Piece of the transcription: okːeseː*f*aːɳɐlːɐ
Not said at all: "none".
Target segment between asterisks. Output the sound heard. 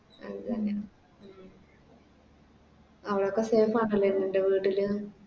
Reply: f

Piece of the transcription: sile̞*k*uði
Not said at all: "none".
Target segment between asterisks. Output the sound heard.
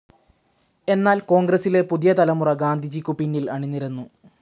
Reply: p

